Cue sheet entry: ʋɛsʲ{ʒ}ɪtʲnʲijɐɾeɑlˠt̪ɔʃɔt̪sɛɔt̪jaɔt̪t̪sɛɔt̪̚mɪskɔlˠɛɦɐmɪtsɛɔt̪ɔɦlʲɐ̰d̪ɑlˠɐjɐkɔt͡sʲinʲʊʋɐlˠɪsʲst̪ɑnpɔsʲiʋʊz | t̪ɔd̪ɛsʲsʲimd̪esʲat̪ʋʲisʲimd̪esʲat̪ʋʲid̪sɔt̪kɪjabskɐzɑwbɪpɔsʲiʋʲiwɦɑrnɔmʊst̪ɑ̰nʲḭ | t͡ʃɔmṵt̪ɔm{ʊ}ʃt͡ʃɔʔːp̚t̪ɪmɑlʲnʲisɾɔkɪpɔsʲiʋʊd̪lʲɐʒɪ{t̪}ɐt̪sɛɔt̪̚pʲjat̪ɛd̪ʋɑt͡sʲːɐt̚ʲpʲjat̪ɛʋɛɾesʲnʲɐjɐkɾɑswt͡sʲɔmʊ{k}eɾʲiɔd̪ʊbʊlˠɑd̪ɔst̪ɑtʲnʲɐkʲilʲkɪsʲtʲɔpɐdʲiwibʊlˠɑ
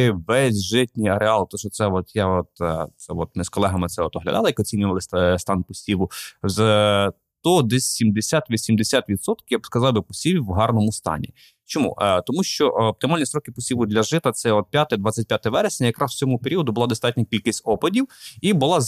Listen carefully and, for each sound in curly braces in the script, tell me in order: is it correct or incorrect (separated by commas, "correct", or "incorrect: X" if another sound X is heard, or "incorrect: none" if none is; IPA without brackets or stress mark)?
correct, incorrect: u, correct, incorrect: p